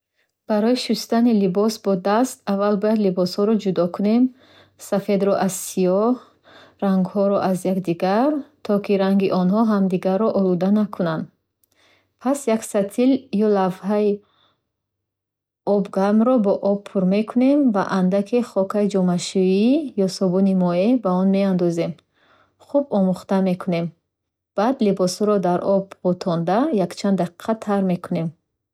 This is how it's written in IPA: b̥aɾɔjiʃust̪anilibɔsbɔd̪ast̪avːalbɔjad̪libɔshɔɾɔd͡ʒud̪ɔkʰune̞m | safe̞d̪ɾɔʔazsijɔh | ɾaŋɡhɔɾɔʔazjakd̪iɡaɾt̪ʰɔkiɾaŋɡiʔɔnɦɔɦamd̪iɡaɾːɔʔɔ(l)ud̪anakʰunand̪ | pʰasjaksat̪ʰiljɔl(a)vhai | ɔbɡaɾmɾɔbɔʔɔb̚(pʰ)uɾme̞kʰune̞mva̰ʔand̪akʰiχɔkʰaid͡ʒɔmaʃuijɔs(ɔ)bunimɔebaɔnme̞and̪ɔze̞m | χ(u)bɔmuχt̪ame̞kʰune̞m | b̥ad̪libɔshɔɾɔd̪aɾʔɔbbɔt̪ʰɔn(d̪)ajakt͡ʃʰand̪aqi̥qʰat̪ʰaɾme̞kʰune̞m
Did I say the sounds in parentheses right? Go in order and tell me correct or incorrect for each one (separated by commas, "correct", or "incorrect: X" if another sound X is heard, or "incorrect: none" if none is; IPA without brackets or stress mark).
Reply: correct, correct, correct, correct, correct, correct